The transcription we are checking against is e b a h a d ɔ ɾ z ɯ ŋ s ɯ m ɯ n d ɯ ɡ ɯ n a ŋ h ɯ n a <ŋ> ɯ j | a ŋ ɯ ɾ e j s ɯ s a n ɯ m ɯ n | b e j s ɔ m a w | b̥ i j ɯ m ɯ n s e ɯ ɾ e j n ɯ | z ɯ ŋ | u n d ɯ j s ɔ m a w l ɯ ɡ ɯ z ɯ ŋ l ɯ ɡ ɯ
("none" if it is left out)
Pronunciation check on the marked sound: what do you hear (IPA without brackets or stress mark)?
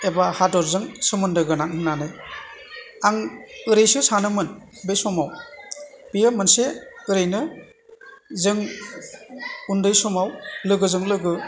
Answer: n